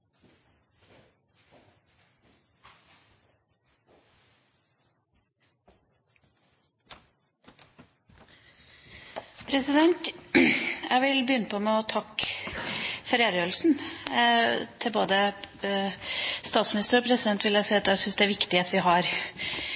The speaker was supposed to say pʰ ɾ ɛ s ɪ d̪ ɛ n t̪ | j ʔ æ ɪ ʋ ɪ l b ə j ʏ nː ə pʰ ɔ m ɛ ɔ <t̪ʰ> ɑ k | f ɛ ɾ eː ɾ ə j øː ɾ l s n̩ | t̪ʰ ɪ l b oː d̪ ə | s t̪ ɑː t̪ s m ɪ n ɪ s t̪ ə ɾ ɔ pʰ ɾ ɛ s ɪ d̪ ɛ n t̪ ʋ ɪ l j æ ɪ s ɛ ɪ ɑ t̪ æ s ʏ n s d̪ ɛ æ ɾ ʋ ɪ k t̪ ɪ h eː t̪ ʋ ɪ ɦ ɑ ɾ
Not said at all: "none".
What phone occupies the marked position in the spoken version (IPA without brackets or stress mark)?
t̪ʰ